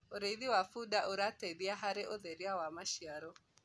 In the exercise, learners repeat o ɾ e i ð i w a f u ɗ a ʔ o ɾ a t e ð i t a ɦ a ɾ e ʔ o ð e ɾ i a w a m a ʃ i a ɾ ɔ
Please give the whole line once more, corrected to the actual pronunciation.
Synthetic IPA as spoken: o ɾ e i ð i w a f u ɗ a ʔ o ɾ a t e ð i a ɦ a ɾ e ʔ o ð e ɾ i a w a m a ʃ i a ɾ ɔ